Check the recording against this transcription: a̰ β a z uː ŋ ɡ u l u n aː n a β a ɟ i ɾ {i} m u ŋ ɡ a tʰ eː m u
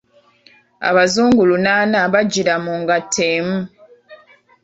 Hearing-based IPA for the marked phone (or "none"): a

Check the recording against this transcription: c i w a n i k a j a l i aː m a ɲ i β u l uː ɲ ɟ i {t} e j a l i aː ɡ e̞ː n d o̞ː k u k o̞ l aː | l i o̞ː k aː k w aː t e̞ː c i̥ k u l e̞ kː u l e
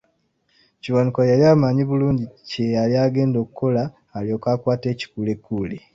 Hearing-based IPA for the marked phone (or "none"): c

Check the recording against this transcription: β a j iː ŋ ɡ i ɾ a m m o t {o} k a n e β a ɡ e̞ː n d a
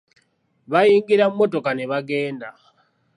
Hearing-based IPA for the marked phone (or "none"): o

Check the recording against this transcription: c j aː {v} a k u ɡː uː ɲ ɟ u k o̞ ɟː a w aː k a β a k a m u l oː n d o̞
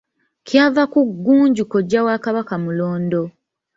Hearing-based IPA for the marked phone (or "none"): v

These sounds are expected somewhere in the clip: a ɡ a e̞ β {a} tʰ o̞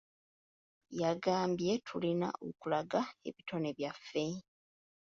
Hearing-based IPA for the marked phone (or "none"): i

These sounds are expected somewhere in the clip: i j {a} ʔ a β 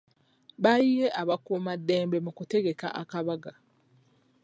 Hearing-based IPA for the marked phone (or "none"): e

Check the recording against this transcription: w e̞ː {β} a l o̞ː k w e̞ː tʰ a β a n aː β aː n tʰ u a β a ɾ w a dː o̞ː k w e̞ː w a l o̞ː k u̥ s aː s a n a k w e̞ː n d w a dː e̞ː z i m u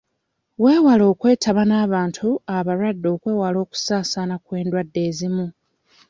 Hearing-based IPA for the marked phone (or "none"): w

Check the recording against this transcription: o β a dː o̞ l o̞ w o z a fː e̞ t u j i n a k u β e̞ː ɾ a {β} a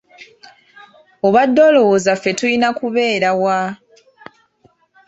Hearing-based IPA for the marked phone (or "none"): w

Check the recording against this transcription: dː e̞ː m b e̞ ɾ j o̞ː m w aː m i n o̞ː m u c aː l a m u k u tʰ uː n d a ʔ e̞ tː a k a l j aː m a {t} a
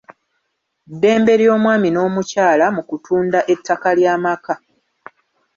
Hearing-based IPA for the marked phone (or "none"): k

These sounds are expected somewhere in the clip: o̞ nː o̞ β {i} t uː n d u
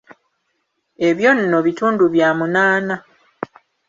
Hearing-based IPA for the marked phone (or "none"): i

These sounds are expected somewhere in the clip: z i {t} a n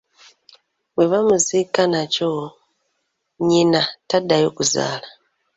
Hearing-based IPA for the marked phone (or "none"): k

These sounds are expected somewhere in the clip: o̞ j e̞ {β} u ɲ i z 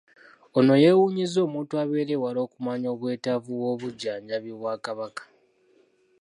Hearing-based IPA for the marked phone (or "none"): w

